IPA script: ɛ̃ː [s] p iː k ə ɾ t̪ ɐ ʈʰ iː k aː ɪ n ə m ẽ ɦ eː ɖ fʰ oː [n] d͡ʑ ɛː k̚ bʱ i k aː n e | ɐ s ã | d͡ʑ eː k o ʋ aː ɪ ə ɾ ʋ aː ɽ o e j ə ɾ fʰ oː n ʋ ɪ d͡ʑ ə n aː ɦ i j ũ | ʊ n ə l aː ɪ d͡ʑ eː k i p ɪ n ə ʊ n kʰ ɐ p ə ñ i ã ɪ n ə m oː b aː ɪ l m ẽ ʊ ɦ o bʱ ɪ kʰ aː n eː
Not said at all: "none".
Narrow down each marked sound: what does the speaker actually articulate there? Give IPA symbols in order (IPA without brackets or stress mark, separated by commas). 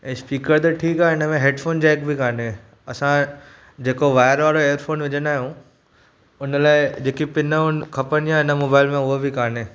s, n